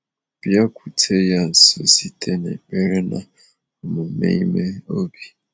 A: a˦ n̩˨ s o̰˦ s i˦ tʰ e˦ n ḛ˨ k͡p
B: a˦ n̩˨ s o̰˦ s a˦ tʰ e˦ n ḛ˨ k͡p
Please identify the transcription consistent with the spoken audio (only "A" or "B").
A